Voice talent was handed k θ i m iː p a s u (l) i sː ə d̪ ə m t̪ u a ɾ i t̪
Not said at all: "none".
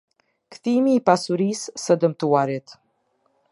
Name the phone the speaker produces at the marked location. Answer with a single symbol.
ɾ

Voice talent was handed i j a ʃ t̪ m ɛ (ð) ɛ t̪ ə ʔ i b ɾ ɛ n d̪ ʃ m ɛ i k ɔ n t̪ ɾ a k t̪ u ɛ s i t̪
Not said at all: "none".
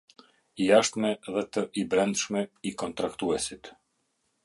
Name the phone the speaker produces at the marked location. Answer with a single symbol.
ð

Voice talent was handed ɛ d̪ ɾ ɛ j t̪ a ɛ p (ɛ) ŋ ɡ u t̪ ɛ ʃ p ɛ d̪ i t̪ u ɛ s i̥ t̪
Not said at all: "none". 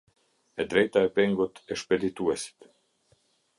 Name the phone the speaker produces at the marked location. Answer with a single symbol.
ɛ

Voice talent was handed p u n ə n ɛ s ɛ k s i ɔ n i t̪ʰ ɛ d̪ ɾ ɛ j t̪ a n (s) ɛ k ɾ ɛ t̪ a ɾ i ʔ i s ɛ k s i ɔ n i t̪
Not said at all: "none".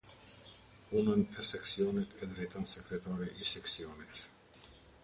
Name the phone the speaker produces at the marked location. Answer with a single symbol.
s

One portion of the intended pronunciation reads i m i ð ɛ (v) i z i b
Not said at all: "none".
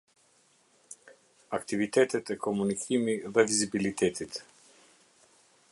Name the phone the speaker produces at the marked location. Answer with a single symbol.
v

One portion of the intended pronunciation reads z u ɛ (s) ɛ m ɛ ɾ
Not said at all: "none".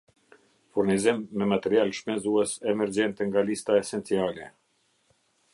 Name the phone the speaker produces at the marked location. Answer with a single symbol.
s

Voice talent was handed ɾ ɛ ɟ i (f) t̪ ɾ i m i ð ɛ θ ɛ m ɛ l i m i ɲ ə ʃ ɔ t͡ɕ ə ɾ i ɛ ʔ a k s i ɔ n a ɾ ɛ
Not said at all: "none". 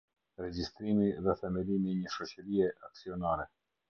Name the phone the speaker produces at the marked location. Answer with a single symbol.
s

